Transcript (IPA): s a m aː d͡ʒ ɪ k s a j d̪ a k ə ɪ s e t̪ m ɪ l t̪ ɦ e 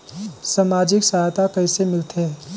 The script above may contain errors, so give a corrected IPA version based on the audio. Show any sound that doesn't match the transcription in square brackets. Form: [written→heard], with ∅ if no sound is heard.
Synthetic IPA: s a m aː d͡ʒ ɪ k s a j [d̪→t̪] a k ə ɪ s e [t̪→∅] m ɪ l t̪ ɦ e